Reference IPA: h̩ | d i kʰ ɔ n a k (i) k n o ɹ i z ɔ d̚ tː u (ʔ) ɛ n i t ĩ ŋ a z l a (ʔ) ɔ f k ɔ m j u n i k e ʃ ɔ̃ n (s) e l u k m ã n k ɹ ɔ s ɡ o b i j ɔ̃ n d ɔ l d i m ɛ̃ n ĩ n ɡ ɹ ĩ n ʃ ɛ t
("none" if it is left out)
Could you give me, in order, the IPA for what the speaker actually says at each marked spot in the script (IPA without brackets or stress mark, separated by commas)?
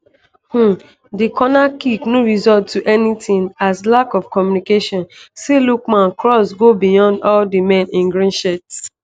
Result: i, ʔ, k, s